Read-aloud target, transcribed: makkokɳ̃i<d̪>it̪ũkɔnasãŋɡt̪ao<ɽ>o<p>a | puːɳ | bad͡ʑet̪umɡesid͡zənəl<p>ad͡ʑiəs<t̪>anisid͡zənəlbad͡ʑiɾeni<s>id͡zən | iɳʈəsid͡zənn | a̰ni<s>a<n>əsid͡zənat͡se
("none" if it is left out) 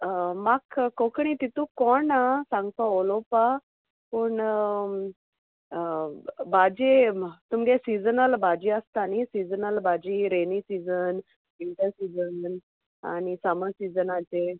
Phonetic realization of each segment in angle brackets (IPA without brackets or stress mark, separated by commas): t̪, l, p, b, t̪, s, s, m